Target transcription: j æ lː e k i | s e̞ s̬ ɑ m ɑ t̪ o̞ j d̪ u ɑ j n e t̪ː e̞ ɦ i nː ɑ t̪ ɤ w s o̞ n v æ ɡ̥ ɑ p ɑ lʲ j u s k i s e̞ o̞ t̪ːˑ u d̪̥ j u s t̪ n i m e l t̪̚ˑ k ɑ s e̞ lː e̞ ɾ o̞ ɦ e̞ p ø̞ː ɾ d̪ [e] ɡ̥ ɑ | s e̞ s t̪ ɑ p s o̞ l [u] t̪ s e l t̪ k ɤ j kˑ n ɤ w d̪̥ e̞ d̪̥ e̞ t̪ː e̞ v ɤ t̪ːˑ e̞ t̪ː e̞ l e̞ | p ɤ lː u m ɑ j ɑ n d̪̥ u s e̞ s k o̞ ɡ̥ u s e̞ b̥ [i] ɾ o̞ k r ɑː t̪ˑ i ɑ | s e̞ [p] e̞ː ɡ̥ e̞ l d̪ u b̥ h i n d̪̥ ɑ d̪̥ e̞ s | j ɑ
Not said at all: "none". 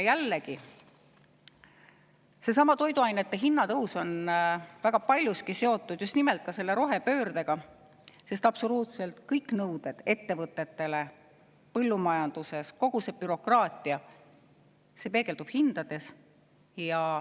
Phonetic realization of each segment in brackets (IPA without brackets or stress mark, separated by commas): e, uː, y, p